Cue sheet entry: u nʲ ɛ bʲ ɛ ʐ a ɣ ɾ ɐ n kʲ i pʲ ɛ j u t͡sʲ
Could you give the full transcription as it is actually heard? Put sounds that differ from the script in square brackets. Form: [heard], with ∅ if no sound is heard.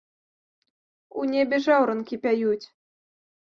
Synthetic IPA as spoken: u nʲ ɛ bʲ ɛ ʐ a [w] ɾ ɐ n kʲ i pʲ [a] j u t͡sʲ